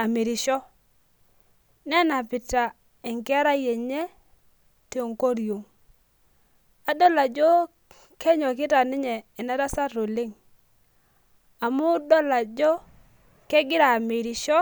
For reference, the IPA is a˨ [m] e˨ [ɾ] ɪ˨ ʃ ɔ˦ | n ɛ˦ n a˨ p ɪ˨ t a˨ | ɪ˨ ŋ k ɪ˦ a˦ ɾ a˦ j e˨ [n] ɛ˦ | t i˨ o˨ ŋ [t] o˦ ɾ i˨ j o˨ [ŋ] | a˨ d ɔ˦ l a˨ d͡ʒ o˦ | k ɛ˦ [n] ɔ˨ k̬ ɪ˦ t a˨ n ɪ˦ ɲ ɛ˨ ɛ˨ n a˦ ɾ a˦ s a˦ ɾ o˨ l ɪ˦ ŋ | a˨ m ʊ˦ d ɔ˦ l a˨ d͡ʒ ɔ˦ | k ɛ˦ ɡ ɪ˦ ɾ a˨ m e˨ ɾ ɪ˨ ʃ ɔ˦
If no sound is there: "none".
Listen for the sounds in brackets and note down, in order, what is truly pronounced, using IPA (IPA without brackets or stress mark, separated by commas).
m, ɾ, ɲ, k, ŋ, ɲ